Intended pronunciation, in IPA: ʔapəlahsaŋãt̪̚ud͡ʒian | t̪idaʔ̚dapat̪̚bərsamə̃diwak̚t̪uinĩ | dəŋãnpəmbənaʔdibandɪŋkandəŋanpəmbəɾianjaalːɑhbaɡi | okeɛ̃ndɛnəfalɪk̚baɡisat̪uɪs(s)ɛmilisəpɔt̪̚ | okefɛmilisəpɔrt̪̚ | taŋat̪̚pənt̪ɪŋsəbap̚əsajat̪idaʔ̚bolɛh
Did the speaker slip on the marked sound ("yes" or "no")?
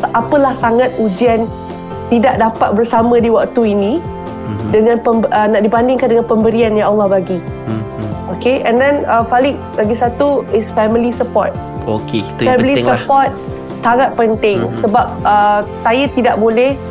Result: yes